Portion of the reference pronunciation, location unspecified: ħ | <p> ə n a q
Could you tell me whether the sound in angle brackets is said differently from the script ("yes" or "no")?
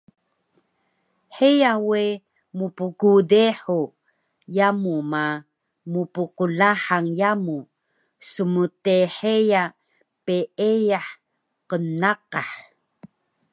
yes